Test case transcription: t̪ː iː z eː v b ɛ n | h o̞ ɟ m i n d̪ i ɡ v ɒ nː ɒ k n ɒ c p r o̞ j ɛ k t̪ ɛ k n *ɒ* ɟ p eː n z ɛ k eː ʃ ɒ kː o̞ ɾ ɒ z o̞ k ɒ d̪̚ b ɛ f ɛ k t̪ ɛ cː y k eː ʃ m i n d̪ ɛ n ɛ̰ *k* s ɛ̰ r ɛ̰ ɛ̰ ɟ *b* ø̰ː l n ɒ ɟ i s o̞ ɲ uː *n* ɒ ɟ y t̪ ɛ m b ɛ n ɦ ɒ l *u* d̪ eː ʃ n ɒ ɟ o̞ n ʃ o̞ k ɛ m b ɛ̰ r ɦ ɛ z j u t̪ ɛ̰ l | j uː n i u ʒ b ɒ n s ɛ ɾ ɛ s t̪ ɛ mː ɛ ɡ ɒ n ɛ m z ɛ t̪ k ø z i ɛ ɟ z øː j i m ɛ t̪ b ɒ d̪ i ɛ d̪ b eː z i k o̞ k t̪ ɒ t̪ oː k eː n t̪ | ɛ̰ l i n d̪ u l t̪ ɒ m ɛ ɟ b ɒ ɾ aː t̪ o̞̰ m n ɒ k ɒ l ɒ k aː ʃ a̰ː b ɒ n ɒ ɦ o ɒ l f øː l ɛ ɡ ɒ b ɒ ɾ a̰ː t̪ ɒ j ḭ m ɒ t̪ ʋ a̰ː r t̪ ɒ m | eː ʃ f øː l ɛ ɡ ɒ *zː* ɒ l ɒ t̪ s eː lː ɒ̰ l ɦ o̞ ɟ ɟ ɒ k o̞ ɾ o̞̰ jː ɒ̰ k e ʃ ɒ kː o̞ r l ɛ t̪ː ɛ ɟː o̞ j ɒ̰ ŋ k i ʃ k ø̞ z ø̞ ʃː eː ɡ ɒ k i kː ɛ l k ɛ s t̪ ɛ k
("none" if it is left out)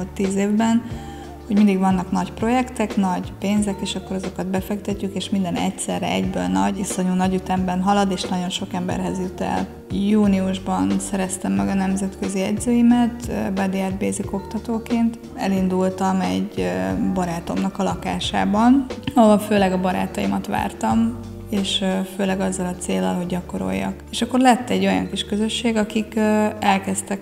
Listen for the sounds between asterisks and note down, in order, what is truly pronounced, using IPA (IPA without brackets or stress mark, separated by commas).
ɒ, c, b, n, ɒ, zː